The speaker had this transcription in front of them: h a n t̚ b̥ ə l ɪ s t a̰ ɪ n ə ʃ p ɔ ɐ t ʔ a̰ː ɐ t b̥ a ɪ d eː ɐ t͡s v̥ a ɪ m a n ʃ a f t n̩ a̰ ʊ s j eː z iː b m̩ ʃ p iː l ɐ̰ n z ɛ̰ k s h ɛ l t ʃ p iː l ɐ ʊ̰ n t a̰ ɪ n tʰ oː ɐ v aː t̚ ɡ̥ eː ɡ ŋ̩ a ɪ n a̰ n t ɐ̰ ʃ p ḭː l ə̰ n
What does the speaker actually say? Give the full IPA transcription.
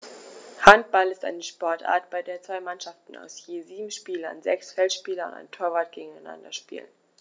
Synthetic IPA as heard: h a n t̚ b̥ a l ɪ s t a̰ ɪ n ə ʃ p ɔ ɐ t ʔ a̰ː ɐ t b̥ a ɪ d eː ɐ t͡s v̥ a ɪ m a n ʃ a f t n̩ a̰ ʊ s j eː z iː b m̩ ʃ p iː l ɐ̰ n z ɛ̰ k s f ɛ l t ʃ p iː l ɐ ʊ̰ n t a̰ ɪ n tʰ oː ɐ v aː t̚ ɡ̥ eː ɡ ŋ̩ a ɪ n a̰ n d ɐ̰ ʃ p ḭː l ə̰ n